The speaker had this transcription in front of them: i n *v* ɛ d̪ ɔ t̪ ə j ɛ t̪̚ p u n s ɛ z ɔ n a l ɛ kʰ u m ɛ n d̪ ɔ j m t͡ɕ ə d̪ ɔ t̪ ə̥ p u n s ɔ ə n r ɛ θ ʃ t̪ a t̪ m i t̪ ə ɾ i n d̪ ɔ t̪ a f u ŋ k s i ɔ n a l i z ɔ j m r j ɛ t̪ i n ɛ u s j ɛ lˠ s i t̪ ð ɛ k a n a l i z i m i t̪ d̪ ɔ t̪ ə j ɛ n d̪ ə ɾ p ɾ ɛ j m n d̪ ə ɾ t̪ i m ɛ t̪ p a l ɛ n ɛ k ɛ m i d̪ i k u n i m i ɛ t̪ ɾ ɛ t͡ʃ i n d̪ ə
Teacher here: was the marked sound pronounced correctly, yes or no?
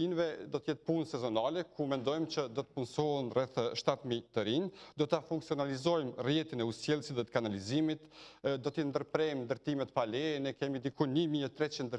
yes